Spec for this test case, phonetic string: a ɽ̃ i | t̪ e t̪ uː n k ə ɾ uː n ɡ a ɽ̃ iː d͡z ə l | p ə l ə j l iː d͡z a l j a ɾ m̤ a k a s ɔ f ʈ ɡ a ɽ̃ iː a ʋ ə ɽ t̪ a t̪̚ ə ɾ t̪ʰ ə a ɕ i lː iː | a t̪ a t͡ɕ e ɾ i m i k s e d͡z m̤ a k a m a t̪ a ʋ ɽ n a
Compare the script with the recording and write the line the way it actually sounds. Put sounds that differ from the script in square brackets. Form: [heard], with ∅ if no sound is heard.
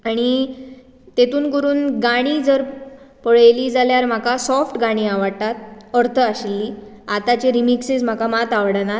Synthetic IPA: a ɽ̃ i | t̪ e t̪ uː n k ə ɾ uː n ɡ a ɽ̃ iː d͡z ə [ɾ] | p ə [ɭ] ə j l iː d͡z a l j a ɾ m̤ a k a s ɔ f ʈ ɡ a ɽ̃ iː a ʋ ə ɽ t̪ a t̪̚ ə ɾ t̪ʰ ə a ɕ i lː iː | a t̪ a t͡ɕ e ɾ i m i k s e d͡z m̤ a k a m a t̪ a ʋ ɽ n a